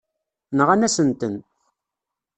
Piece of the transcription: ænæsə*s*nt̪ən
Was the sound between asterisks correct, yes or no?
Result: no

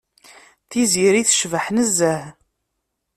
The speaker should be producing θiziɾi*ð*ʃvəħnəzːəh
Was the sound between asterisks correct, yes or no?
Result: no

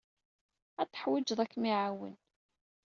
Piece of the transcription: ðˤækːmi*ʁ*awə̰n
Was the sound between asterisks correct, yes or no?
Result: no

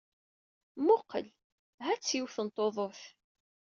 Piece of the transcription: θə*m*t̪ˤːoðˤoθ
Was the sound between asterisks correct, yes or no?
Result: no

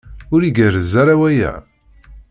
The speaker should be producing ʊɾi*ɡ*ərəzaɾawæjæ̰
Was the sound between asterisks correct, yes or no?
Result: yes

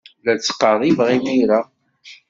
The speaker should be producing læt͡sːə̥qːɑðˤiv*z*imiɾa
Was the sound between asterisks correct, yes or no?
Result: no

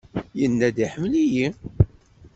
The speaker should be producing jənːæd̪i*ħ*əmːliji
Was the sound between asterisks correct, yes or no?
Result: yes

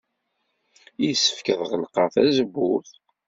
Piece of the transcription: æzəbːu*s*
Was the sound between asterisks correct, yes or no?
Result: no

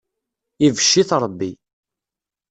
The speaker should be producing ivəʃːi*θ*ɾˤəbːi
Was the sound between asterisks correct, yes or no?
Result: yes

